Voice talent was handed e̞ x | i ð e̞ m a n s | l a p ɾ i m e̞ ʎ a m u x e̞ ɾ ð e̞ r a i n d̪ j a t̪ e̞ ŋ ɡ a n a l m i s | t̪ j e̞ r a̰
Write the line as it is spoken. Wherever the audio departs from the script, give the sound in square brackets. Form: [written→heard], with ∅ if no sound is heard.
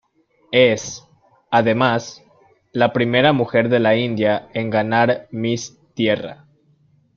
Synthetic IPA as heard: e̞ [x→s] | [i→a] ð e̞ m a [n→∅] s | l a p ɾ i m e̞ [ʎ→ɾ] a m u x e̞ ɾ ð e̞ [r→l] a i n d̪ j a [t̪→∅] e̞ ŋ ɡ a n a [l→ɾ] m i s | t̪ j e̞ r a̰